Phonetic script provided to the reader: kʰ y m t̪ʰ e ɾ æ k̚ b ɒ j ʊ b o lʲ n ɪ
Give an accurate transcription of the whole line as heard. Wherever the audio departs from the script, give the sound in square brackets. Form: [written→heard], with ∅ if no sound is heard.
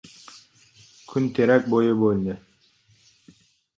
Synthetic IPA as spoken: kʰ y [m→n] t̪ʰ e ɾ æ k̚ b [ɒ→o] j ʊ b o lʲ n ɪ

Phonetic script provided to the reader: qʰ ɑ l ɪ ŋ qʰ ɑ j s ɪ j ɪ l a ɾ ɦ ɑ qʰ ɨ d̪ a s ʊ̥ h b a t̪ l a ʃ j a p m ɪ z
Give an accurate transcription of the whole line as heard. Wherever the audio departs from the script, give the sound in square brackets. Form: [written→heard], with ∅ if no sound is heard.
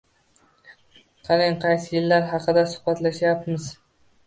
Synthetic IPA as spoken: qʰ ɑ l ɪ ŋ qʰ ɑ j s ɪ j ɪ [l→lː] a ɾ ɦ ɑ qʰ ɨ d̪ a s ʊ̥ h b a t̪ l a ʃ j a p m ɪ z

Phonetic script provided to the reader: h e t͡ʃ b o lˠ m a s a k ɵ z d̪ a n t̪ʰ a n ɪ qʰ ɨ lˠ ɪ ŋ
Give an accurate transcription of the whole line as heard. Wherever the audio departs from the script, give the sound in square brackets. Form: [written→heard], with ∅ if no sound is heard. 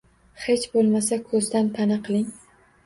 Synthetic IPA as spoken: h e t͡ʃ b o lˠ m a s a [k→kʰ] ɵ z d̪ a n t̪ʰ a n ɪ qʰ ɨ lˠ ɪ ŋ

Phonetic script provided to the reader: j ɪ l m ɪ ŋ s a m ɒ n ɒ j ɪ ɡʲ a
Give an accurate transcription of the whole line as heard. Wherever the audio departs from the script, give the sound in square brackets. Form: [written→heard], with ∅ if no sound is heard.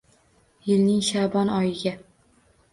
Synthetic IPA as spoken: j ɪ l [m→n] ɪ ŋ [s→ʃ] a [m→b] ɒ n ɒ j ɪ ɡʲ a

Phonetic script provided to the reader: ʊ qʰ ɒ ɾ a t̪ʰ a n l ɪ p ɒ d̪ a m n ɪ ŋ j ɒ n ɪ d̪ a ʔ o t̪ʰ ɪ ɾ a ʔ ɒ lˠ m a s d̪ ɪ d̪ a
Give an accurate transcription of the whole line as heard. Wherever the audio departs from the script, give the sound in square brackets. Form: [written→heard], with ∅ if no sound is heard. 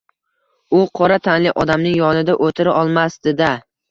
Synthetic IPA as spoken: ʊ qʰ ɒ ɾ a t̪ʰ a n l ɪ [p→ʔ] ɒ d̪ a m n ɪ ŋ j ɒ n ɪ d̪ a ʔ o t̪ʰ ɪ ɾ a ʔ ɒ lˠ m a s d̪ ɪ d̪ a

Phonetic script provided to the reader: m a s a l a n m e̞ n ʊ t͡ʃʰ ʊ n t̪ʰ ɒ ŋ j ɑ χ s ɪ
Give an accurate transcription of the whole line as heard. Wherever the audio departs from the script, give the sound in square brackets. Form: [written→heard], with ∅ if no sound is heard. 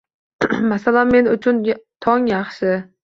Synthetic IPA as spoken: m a s a l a n m e̞ n ʊ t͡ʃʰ ʊ n t̪ʰ ɒ ŋ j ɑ χ [s→ʃ] ɪ

